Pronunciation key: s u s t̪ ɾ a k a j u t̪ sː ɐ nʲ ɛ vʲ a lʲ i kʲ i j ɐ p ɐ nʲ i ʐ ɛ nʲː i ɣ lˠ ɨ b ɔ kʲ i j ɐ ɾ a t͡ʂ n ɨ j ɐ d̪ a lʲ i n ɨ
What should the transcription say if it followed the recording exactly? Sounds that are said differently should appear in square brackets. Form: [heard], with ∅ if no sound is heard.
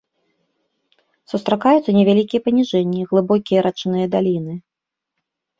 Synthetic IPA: s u s t̪ ɾ a k a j u t̪ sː ɐ nʲ ɛ vʲ a lʲ i kʲ i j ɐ p ɐ nʲ i ʐ ɛ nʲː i ɣ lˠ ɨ b ɔ kʲ i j ɐ ɾ a t͡ʂ n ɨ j ɐ d̪ a lʲ i n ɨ